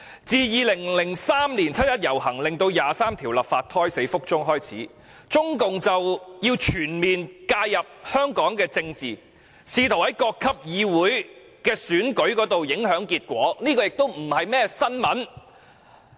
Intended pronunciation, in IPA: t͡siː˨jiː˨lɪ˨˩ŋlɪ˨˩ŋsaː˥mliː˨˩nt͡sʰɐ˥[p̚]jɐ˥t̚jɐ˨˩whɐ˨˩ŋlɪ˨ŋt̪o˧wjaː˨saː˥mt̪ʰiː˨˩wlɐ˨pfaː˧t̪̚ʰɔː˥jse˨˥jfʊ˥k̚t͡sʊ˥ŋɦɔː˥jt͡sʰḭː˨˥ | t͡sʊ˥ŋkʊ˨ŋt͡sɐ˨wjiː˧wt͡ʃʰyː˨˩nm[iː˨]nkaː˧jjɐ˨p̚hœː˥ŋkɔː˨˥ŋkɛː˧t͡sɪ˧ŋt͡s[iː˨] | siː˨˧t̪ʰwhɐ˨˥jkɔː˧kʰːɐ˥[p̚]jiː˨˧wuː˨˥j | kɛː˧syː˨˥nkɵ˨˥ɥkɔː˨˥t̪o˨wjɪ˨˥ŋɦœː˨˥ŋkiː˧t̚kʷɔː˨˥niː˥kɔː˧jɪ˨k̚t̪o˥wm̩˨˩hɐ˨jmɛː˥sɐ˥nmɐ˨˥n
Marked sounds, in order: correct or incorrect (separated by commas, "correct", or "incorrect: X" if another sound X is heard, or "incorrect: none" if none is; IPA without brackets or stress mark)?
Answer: incorrect: t̚, correct, correct, correct